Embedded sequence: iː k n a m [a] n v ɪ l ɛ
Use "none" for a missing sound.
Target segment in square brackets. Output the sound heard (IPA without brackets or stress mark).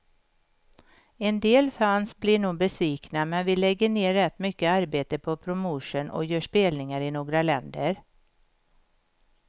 ɛ